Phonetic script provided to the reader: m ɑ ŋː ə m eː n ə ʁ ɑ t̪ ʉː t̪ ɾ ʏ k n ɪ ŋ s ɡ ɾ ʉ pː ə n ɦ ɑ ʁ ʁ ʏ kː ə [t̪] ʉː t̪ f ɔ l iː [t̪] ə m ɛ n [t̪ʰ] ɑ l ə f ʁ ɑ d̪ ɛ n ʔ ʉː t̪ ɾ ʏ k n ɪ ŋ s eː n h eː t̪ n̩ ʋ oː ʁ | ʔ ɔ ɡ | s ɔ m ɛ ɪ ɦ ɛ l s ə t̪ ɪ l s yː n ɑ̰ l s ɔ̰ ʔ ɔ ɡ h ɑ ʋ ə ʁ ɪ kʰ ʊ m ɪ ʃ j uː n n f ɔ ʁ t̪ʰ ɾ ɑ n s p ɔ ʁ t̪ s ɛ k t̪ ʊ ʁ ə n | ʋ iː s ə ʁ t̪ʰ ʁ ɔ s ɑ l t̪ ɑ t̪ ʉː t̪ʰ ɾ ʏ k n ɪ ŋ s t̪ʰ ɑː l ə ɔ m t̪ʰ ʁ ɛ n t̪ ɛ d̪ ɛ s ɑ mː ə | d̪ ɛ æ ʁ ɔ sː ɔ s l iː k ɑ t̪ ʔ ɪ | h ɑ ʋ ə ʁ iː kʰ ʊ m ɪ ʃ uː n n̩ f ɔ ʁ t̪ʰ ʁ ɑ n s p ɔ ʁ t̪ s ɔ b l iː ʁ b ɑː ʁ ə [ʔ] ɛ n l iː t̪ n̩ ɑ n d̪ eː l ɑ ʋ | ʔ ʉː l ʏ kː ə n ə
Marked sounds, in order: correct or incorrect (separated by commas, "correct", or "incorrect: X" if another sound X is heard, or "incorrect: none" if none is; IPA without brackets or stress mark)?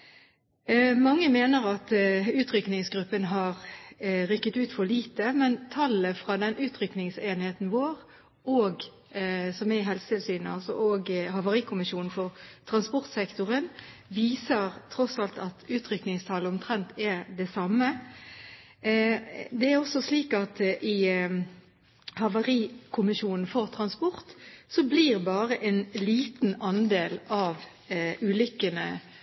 correct, correct, correct, correct